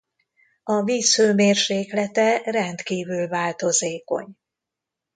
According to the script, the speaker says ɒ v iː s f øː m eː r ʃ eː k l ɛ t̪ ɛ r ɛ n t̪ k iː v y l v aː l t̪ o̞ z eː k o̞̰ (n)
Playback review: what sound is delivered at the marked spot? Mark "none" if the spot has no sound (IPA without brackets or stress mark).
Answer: ɲ